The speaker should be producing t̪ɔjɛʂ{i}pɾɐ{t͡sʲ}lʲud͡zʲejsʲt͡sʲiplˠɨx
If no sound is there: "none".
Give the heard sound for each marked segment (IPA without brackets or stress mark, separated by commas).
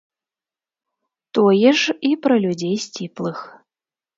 i, none